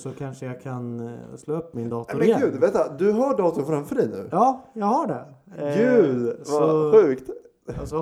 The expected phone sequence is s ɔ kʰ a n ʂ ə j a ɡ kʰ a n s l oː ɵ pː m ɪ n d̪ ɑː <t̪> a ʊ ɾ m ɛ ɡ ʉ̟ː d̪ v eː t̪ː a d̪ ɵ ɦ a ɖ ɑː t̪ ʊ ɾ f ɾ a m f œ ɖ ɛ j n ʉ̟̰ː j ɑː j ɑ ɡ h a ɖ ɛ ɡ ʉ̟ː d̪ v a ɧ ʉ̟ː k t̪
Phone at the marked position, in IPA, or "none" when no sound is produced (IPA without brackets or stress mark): t̪